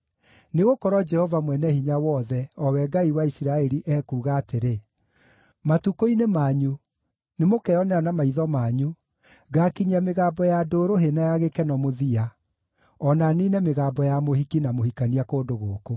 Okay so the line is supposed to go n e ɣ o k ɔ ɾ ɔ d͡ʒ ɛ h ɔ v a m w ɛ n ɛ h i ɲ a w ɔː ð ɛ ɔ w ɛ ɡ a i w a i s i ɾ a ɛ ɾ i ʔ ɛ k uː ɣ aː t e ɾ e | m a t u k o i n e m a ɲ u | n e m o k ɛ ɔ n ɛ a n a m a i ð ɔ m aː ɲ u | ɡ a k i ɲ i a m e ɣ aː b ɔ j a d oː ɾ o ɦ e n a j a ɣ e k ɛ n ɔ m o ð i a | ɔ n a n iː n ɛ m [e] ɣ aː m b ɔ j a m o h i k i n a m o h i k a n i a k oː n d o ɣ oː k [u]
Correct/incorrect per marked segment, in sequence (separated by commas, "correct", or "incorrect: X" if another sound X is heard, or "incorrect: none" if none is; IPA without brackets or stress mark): correct, incorrect: o